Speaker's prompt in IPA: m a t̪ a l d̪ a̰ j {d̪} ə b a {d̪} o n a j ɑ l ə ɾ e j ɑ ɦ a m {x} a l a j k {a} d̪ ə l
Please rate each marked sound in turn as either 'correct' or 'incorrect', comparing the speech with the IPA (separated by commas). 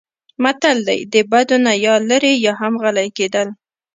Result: correct, correct, incorrect, incorrect